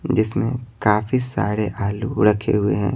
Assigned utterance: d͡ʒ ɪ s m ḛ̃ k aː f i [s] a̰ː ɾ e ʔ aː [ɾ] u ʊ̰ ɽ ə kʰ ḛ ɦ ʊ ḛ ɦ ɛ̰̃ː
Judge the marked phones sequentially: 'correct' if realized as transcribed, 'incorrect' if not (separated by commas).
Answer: correct, incorrect